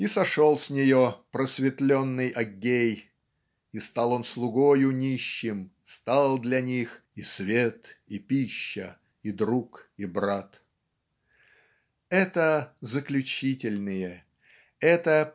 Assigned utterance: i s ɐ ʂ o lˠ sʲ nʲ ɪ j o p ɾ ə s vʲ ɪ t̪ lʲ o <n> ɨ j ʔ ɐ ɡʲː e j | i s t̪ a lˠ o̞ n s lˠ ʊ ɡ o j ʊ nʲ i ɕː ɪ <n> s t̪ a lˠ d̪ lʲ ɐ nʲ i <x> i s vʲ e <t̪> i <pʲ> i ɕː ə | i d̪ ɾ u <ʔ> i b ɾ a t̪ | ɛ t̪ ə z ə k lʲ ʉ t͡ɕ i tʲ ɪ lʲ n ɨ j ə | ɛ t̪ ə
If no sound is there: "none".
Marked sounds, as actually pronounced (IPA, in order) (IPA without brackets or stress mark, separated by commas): nː, m, x, t̪, pʲ, k